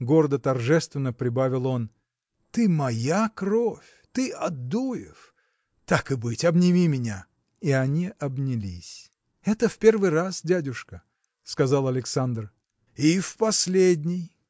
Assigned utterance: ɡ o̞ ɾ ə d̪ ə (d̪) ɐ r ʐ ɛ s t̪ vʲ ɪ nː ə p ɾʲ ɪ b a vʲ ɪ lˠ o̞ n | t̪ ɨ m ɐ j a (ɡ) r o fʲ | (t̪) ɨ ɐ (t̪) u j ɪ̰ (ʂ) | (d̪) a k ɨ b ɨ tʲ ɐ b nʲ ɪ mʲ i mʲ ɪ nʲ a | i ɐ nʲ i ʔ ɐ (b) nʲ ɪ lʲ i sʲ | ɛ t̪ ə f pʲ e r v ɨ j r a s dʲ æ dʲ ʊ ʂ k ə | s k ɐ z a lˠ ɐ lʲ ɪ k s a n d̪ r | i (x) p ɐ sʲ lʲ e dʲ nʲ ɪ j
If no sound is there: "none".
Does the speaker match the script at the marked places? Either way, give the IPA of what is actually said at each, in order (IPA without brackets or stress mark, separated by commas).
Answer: t̪, k, t̪, d̪, f, t̪, b, f